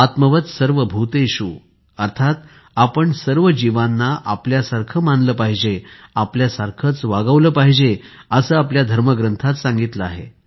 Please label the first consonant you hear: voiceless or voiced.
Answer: voiceless